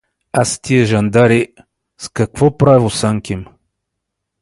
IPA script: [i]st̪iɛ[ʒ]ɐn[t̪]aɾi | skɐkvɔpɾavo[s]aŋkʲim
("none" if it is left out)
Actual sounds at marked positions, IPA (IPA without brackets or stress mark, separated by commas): a, ʒ, d̪, s